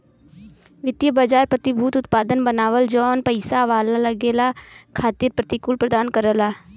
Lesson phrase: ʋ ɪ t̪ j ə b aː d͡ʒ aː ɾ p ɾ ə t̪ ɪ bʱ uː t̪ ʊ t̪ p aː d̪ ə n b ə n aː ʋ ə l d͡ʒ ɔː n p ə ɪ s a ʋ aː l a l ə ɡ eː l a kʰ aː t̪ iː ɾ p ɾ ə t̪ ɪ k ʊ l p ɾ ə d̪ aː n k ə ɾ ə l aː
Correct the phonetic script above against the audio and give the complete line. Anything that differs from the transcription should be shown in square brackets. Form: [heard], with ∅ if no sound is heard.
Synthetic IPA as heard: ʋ ɪ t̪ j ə b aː d͡ʒ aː ɾ p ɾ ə t̪ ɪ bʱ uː t̪ ʊ t̪ p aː d̪ ə n b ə n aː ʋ ə l d͡ʒ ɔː n p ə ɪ s a ʋ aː l a l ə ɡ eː l a kʰ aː t̪ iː ɾ p ɾ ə t̪ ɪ k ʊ l p ɾ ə d̪ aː n k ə ɾ ə l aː